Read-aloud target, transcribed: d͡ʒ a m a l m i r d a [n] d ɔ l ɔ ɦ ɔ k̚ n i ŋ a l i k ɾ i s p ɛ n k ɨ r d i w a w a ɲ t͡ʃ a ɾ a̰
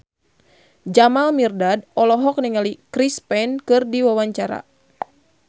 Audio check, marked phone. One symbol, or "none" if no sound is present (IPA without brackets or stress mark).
none